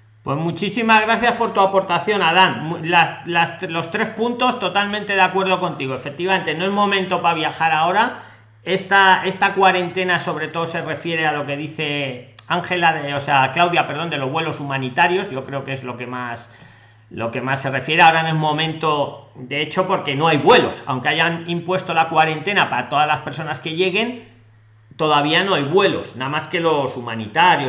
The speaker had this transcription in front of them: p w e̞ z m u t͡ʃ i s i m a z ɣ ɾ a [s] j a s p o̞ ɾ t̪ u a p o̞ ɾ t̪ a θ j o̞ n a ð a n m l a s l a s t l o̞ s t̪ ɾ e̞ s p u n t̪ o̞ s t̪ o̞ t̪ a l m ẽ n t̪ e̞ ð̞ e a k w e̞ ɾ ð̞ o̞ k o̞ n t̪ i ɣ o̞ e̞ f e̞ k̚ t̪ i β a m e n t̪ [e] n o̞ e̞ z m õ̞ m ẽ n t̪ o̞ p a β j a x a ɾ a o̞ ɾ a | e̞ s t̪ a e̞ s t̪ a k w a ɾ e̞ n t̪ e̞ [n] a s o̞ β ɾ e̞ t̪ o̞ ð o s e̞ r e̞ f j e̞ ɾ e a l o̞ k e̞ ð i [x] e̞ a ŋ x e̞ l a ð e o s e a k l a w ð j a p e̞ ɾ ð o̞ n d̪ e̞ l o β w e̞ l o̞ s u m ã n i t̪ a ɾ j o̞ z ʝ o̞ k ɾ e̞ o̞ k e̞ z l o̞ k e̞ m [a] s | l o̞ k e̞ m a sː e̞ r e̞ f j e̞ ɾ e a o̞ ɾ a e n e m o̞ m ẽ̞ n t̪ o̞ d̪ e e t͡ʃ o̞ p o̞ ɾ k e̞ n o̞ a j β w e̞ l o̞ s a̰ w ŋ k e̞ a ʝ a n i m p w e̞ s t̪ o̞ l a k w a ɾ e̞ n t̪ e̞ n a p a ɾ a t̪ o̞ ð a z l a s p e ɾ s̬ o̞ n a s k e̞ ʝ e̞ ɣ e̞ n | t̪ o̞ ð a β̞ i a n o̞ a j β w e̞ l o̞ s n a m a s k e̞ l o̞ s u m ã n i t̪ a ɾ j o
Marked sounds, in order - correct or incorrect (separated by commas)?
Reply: incorrect, correct, correct, incorrect, correct